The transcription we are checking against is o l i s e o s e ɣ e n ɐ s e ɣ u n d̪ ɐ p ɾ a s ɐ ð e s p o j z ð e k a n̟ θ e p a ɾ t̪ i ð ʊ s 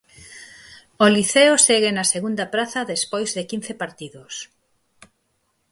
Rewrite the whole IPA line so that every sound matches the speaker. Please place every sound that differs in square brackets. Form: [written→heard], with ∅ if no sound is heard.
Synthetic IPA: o l i [s→θ] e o s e ɣ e n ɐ s e ɣ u n d̪ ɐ p ɾ a [s→θ] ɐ ð e s p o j z ð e k [a→i] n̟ θ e p a ɾ t̪ i ð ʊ s